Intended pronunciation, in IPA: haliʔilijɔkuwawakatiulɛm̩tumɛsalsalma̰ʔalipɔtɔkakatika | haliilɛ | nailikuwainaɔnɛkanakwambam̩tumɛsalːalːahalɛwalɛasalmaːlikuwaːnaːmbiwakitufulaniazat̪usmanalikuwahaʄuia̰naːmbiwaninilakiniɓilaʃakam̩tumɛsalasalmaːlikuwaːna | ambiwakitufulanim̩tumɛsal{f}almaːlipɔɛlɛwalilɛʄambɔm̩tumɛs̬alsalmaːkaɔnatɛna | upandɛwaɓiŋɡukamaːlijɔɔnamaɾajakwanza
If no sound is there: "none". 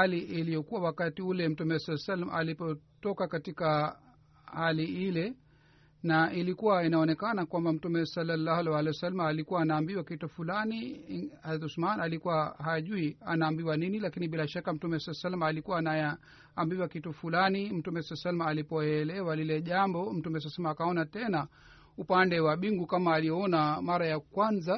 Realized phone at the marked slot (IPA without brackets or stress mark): s